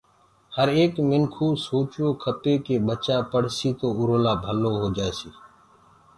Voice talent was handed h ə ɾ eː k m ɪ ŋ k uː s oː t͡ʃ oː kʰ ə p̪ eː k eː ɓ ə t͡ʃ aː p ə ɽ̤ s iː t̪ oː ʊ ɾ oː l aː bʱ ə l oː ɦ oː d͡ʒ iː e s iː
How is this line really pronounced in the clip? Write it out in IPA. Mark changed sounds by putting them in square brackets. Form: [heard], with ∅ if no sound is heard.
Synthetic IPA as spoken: h ə ɾ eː k m ɪ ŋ [kʰ] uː s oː t͡ʃ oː kʰ ə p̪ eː k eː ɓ ə t͡ʃ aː p ə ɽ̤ s iː t̪ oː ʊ ɾ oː l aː bʱ ə l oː ɦ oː d͡ʒ [aː] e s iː